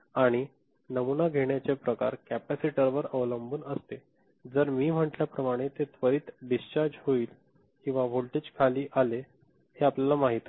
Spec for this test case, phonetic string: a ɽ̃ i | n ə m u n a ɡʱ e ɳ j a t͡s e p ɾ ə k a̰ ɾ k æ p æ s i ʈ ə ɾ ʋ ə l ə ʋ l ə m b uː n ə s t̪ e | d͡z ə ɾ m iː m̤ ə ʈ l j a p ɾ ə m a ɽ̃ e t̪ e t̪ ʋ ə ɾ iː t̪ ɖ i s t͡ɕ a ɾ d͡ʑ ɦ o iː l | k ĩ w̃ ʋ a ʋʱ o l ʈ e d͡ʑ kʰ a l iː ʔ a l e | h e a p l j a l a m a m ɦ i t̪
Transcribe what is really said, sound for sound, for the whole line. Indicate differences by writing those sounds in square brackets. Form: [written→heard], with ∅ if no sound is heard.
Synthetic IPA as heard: a ɽ̃ i | n ə m u n a ɡʱ e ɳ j a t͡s e p ɾ ə k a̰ ɾ k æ p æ s i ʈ ə ɾ ʋ ə [l→ɾ] ə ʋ l ə m b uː n ə s t̪ e | d͡z ə ɾ m iː m̤ ə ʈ l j a p ɾ ə m a ɽ̃ e t̪ e t̪ ʋ ə ɾ iː t̪ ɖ i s t͡ɕ a ɾ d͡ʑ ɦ o iː l | k ĩ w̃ ʋ a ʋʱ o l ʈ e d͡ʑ kʰ a l iː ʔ a l e | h e a p l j a l a m a [m→∅] ɦ i t̪

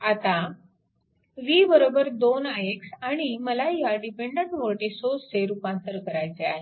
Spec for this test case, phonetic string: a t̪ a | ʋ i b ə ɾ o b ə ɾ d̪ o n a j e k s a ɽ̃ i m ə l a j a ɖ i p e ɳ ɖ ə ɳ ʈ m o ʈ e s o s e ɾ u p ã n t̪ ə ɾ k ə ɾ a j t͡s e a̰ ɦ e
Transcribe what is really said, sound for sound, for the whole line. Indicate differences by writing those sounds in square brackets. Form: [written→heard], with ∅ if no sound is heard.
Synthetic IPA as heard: a t̪ a | ʋ i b ə ɾ o b ə ɾ d̪ o n a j e k s a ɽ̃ i m ə l a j a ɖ i p e ɳ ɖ ə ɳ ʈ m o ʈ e s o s e ɾ u p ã n t̪ ə ɾ k ə ɾ a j t͡s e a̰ ɦ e

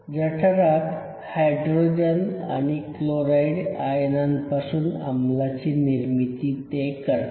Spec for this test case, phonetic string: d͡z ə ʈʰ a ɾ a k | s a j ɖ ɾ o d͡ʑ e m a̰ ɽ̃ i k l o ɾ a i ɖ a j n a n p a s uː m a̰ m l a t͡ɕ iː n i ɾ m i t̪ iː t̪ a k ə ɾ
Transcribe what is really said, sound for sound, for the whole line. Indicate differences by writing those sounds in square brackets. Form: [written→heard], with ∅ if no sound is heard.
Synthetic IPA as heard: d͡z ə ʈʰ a ɾ a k | [s→h] a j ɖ ɾ o d͡ʑ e [m→n] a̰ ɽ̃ i k l o ɾ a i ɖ a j n a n p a s uː [m→n] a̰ m l a t͡ɕ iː n i ɾ m i t̪ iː t̪ [a→e] k ə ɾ

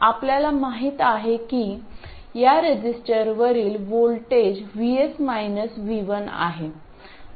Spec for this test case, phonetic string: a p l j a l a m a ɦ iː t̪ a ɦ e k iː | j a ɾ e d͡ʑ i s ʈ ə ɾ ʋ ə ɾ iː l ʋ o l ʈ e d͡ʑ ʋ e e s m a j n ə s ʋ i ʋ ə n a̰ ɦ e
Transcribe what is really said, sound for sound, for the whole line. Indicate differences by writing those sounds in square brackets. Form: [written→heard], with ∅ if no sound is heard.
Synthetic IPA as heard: a p l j a l a m a ɦ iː t̪ a ɦ e k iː | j a ɾ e d͡ʑ i s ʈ ə ɾ ʋ ə ɾ iː l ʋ o l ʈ e d͡ʑ ʋ [e→i] e s m a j n ə s ʋ i ʋ ə n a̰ ɦ e

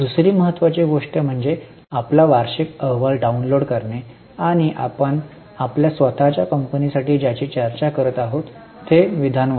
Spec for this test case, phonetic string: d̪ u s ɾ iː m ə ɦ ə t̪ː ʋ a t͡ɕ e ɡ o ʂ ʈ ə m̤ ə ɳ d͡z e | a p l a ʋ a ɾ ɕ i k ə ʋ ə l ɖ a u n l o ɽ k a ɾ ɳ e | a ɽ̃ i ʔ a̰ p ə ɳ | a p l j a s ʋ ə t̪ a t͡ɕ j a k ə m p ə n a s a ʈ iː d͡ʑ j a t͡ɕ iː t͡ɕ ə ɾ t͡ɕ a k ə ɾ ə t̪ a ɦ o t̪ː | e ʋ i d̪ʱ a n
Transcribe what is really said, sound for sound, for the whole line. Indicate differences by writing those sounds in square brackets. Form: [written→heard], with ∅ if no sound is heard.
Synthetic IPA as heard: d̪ u s ɾ iː m ə ɦ ə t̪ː ʋ a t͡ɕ e ɡ o ʂ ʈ ə m̤ ə ɳ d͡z e | a p l a ʋ a ɾ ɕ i k ə ʋ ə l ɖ a u n l o ɽ k [a→ə] ɾ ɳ e | a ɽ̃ i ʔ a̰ p ə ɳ | a p l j a s ʋ ə t̪ a t͡ɕ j a k ə m p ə n [a→i] s a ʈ iː d͡ʑ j a t͡ɕ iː t͡ɕ ə ɾ t͡ɕ a k ə ɾ ə t̪ a ɦ o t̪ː | e ʋ i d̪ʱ a n

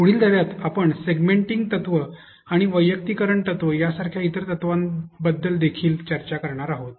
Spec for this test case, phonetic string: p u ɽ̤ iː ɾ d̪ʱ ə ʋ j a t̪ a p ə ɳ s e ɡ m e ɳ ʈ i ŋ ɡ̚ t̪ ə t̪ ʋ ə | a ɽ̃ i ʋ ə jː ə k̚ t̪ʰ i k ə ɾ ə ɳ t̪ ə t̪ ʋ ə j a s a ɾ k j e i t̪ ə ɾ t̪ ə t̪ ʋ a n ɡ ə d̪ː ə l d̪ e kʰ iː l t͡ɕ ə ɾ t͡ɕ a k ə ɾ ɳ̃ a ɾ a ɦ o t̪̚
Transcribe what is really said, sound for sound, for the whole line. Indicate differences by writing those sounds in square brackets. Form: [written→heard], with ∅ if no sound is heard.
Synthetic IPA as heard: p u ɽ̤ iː [ɾ→l] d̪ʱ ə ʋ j a t̪ a p ə ɳ s e ɡ m e ɳ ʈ i ŋ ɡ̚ t̪ ə t̪ ʋ ə | a ɽ̃ i ʋ ə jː ə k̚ [t̪ʰ→t̪] i k ə ɾ ə ɳ t̪ ə t̪ ʋ ə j a s a ɾ [k→kʰ] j [e→a] i t̪ ə ɾ t̪ ə t̪ ʋ a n [ɡ→b] ə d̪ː ə l d̪ e kʰ iː l t͡ɕ ə ɾ t͡ɕ a k ə ɾ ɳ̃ a ɾ a ɦ o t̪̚

